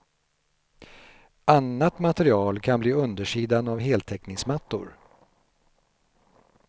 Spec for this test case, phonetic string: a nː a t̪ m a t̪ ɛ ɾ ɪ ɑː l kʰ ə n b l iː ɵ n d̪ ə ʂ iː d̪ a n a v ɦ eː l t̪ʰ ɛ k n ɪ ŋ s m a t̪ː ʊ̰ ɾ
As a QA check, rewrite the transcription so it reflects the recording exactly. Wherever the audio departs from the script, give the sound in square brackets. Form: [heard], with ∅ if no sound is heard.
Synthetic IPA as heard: a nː a t̪ m a t̪ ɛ ɾ ɪ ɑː l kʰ [a] n b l iː ɵ n d̪ ə ʂ iː d̪ a n a v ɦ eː l t̪ʰ ɛ k n ɪ ŋ s m a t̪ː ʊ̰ ɾ